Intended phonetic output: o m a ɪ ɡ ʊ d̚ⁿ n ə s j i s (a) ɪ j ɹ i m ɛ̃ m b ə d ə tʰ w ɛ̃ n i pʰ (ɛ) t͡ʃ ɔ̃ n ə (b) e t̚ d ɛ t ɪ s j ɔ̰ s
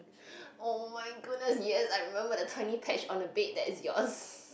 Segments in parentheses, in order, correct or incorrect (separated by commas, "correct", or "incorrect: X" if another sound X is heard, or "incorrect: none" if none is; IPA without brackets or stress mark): correct, correct, correct